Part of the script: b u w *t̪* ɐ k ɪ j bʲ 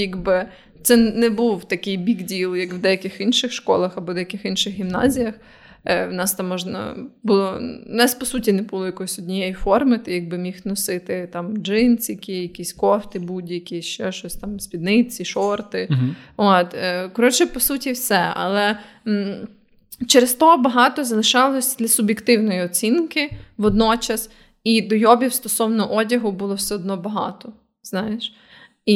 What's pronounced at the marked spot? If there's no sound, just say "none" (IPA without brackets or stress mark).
t̪